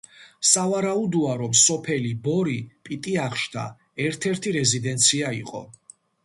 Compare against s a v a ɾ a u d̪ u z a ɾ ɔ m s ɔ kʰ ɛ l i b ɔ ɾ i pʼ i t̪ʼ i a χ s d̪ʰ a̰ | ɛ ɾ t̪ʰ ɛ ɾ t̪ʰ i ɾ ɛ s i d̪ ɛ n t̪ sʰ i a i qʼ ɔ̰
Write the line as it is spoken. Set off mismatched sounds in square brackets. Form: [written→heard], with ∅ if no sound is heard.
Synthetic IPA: s a v a ɾ a u d̪ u [z→∅] a ɾ ɔ m s ɔ [kʰ→pʰ] ɛ l i b ɔ ɾ i pʼ i t̪ʼ i a χ [s→ʃ] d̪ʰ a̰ | ɛ ɾ t̪ʰ ɛ ɾ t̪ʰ i ɾ ɛ [s→z] i d̪ ɛ n t̪ sʰ i a i qʼ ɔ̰